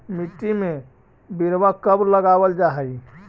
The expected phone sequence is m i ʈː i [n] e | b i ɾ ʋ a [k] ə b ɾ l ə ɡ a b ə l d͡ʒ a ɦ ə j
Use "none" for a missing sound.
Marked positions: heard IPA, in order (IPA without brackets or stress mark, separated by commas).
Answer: m, k